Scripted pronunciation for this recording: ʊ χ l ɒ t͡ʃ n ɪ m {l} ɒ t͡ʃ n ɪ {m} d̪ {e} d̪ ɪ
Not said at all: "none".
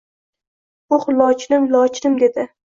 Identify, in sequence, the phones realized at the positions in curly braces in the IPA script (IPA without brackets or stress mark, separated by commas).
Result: l, m, e